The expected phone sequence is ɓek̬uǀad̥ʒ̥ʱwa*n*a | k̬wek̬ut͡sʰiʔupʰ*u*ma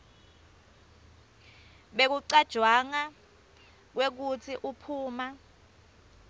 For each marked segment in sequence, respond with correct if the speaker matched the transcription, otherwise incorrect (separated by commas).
incorrect, incorrect